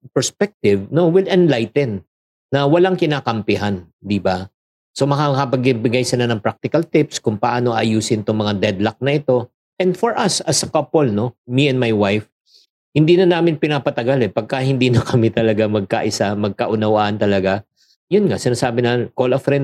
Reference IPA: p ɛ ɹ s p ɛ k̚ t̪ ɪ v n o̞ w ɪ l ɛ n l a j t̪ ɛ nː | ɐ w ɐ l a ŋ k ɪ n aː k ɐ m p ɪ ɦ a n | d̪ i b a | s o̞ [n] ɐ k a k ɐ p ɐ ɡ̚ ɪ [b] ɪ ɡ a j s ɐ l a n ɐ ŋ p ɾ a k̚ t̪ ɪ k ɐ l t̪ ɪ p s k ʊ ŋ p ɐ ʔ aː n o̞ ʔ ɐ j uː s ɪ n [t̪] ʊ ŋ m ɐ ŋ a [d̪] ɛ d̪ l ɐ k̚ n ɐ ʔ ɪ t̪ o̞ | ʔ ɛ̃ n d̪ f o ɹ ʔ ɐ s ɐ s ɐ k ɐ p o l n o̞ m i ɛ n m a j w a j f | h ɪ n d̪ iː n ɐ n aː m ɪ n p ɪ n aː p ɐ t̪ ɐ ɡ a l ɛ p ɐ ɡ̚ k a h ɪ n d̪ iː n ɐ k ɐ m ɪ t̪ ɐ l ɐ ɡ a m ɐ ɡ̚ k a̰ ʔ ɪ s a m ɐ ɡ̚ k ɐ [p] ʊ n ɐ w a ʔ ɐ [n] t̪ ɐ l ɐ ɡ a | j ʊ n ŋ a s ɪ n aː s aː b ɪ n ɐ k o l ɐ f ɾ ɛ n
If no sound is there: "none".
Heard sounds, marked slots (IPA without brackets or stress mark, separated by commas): m, b, t̪, d̪, ʔ, n